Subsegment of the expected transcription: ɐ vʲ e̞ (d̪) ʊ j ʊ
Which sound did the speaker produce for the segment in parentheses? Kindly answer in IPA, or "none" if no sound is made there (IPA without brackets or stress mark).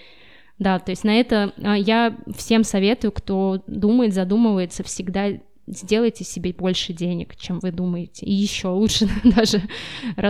t̪